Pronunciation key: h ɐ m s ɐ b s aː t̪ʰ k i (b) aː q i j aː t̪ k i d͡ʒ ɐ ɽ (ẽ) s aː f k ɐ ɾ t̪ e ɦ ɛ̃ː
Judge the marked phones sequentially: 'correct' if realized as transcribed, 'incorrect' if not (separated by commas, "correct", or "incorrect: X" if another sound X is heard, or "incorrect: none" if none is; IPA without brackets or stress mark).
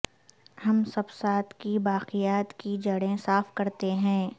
correct, correct